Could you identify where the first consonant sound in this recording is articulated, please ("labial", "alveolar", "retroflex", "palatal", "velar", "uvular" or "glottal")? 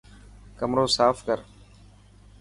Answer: velar